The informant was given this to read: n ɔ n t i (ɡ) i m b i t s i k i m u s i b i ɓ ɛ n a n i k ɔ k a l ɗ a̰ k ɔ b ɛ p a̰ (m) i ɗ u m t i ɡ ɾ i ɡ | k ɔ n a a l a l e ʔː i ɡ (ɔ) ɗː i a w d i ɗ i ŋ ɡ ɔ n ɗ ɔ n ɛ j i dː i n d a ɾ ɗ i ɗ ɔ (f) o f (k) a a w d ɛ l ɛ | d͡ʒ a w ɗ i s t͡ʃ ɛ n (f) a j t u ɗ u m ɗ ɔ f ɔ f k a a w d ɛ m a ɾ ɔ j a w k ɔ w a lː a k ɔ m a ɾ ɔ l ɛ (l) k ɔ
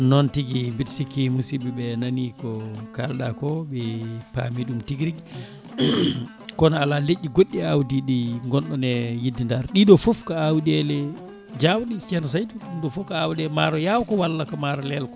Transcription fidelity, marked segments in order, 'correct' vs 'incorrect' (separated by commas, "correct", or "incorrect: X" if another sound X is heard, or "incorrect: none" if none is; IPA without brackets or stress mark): correct, correct, incorrect: o, correct, correct, incorrect: s, correct